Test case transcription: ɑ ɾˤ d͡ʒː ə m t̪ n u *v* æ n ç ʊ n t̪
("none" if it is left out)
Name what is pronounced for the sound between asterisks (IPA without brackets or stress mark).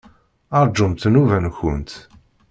v